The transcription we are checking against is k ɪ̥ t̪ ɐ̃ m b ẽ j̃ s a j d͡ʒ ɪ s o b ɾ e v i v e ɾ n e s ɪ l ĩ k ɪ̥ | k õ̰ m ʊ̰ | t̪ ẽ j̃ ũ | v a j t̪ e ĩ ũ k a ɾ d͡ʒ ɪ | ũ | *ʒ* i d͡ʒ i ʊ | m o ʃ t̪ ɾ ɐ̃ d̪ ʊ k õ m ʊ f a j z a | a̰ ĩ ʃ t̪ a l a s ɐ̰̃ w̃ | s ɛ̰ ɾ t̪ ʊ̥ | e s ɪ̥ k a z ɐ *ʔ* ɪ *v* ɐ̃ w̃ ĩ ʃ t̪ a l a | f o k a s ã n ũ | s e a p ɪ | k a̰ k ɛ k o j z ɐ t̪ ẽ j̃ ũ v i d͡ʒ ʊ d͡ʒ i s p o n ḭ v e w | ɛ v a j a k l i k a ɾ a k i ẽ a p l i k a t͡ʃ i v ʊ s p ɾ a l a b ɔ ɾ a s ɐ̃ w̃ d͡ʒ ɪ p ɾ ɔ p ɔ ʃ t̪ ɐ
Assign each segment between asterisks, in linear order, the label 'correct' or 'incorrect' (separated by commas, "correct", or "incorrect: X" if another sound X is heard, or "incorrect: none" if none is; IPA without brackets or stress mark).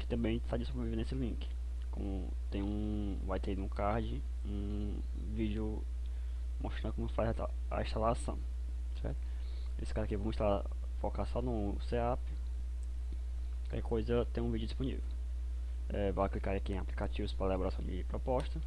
incorrect: v, incorrect: k, correct